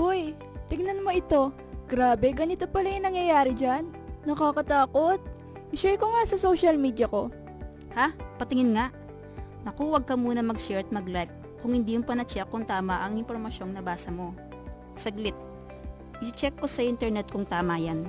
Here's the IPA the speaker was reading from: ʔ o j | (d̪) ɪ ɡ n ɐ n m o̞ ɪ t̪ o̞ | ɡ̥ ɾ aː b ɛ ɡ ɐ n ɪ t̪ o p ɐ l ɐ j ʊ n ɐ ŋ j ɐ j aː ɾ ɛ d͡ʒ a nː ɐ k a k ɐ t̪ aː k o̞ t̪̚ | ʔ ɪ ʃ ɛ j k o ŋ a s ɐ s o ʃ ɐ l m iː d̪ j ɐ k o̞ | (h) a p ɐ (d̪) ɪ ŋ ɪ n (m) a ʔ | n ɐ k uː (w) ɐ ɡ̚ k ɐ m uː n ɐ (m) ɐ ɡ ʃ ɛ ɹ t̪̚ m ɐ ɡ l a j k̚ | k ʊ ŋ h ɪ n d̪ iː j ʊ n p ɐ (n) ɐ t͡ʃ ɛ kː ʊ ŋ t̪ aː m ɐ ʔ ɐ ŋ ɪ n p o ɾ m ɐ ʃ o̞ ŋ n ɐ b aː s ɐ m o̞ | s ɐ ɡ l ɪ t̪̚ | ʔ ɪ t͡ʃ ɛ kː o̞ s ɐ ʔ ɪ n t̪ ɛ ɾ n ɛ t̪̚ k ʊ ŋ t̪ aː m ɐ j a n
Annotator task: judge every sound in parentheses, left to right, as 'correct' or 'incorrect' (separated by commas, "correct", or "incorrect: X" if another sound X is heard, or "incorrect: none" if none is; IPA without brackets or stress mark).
incorrect: t̪, correct, incorrect: t̪, incorrect: ŋ, correct, correct, correct